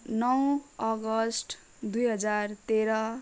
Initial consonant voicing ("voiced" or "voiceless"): voiced